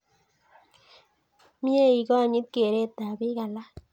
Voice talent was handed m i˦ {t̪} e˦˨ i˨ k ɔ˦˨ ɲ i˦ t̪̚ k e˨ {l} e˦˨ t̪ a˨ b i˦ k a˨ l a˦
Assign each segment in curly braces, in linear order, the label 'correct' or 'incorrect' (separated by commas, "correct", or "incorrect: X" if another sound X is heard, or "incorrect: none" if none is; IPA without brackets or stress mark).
incorrect: none, incorrect: ɾ